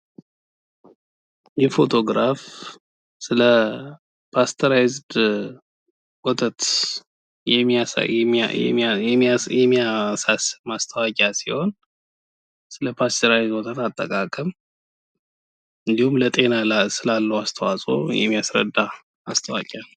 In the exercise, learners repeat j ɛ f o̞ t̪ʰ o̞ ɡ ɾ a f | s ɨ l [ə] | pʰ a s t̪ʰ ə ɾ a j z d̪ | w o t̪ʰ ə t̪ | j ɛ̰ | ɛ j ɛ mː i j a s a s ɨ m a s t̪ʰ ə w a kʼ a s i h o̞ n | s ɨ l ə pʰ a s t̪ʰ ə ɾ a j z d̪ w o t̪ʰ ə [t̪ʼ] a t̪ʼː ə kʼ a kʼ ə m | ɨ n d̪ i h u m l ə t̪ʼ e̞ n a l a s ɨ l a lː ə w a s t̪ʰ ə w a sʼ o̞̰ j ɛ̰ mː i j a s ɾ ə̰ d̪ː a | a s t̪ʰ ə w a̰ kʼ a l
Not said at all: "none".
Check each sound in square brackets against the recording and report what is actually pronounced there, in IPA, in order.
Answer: ə, t̪

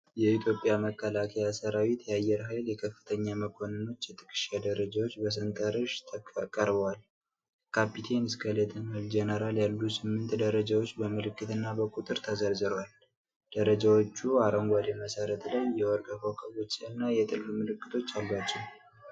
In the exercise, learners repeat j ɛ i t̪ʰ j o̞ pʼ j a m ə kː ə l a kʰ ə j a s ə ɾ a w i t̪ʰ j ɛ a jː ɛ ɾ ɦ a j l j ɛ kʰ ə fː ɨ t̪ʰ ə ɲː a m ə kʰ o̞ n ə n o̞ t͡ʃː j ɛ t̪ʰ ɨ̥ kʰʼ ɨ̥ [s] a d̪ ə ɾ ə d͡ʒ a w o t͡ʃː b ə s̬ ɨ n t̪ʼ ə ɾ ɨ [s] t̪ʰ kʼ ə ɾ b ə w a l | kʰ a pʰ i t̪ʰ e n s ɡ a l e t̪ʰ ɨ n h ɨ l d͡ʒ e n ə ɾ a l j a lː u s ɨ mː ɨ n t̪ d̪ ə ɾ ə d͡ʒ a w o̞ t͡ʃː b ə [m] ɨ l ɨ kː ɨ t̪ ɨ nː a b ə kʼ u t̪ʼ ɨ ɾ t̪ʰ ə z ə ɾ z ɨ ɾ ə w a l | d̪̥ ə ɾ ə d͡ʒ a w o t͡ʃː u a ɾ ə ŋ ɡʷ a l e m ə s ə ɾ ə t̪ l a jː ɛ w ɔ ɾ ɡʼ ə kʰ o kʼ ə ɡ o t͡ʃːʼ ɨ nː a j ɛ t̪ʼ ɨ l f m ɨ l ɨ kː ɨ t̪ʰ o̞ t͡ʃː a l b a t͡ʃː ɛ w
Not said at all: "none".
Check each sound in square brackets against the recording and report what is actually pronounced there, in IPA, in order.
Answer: ʃ, ʃ, m

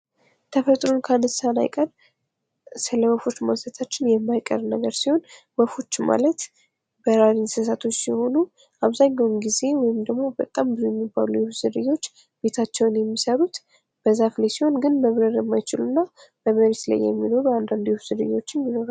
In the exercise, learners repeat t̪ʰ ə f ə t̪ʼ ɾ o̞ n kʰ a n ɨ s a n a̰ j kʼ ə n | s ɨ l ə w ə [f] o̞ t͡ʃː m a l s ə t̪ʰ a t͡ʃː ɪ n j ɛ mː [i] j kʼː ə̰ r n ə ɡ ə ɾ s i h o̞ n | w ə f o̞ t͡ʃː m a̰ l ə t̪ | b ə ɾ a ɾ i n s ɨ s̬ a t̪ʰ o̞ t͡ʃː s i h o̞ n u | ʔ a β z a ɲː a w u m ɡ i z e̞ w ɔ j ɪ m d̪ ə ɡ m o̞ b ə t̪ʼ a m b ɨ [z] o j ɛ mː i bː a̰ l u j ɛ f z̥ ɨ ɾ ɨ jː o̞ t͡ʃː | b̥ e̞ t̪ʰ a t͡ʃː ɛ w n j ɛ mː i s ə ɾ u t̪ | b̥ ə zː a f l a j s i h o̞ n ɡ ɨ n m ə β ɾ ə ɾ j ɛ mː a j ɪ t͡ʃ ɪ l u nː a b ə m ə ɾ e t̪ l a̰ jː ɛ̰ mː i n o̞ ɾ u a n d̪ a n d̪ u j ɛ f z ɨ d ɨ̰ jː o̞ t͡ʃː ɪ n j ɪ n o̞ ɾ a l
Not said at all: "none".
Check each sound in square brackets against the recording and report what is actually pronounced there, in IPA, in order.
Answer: f, a, z

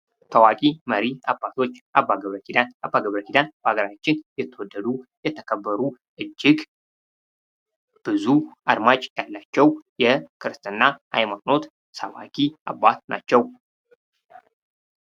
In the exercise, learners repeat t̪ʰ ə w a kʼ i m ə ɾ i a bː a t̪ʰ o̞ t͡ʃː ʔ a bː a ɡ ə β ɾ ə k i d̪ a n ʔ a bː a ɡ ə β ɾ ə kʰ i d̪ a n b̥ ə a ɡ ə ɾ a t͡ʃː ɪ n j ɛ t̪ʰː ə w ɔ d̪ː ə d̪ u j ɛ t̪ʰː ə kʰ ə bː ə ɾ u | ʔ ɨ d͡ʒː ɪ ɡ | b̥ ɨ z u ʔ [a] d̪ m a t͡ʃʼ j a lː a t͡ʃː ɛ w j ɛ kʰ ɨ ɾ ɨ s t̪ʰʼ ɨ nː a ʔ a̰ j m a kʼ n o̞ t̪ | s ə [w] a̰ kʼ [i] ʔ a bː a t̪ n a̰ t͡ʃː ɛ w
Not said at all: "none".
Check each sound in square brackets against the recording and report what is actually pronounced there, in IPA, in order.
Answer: a, w, i

